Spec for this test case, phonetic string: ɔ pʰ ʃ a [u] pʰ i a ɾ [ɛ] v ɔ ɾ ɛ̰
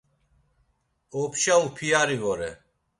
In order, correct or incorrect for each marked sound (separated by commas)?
correct, incorrect